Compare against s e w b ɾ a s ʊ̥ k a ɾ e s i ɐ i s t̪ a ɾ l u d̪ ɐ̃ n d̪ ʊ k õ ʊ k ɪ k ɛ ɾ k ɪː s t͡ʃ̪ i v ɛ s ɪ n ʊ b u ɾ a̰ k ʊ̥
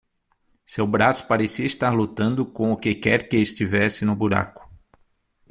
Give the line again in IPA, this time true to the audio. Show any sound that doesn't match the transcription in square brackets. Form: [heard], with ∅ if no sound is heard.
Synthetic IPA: s e w b ɾ a s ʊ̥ [p] a ɾ e s i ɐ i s t̪ a ɾ l u [t̪] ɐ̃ n d̪ ʊ k õ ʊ k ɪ k ɛ ɾ k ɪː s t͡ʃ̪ i v ɛ s ɪ n ʊ b u ɾ a̰ k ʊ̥